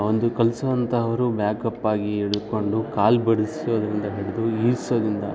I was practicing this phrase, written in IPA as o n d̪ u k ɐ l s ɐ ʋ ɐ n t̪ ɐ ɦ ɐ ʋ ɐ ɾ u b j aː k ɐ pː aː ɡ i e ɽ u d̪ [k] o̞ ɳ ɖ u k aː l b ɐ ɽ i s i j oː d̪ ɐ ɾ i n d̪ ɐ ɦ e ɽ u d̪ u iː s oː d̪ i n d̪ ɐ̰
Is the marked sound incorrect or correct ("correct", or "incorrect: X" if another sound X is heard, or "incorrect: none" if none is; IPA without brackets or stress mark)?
correct